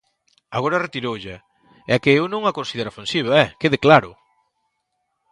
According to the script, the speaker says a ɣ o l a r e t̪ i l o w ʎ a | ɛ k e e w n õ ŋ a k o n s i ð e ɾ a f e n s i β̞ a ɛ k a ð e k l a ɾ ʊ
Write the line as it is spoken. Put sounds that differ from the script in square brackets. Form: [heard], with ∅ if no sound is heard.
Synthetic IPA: a ɣ o [ɾ] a r e t̪ i [ɾ] o w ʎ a | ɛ k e e w n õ ŋ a k o n s i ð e ɾ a f e n s i β̞ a ɛ k [e] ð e k l a ɾ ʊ

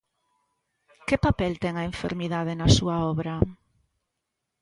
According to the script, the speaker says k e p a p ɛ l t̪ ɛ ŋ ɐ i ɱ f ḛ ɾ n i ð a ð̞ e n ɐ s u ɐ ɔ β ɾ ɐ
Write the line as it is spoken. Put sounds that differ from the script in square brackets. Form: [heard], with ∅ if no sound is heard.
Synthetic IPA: k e p a p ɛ l t̪ ɛ ŋ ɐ [e] ɱ f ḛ ɾ [m] i ð a ð̞ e n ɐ s u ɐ ɔ β ɾ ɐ

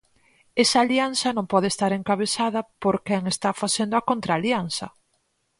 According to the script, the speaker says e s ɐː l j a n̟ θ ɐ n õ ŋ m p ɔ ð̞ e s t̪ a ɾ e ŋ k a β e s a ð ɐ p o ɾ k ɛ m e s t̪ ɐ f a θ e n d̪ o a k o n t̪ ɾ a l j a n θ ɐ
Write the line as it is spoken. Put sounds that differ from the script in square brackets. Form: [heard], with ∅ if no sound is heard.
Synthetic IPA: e s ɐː l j a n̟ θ ɐ n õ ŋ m p ɔ ð̞ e s t̪ a ɾ e ŋ k a β e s a ð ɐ p o ɾ k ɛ [ŋ] e s t̪ [a] f a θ e n d̪ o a k o n t̪ ɾ a l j a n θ ɐ

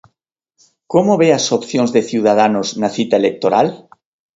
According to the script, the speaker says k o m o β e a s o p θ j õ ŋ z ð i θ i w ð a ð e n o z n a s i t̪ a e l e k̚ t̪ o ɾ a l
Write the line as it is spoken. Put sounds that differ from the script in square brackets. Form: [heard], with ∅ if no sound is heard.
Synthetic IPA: k o m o β e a s o p θ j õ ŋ z ð [e] θ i w ð a ð [a] n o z n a [θ] i t̪ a e l e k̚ t̪ o ɾ a l

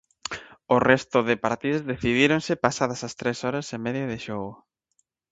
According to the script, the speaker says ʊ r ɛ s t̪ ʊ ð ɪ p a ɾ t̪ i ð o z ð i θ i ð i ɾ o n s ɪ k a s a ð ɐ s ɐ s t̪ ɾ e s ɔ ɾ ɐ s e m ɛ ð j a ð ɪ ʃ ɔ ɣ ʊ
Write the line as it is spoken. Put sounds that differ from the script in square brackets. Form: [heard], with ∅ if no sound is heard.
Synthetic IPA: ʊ r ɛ s t̪ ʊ ð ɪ p a ɾ t̪ i ð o z ð [e] θ i ð i ɾ o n s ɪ [p] a s a ð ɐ s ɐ s t̪ ɾ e s ɔ ɾ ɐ s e m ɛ ð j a ð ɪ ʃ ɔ ɣ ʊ

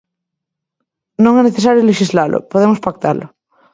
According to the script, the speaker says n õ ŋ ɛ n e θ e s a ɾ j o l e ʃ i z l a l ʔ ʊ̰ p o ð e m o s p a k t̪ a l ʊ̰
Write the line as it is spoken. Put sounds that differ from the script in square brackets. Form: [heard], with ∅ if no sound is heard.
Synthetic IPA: n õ ŋ ɛ n e θ e s a ɾ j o l e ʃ i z l a l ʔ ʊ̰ p o ð e m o s p a k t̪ a l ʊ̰

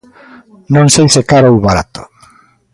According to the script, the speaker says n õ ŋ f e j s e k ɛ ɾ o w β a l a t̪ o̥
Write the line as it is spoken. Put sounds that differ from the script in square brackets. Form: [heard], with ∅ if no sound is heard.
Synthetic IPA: n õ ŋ [s] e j s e k [a] ɾ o w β a [ɾ] a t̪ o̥

